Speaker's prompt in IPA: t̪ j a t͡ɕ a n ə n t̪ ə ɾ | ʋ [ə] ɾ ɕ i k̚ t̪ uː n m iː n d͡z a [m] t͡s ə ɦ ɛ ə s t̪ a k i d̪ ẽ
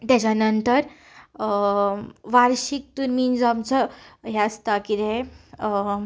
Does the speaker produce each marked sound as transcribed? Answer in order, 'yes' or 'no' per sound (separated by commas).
no, yes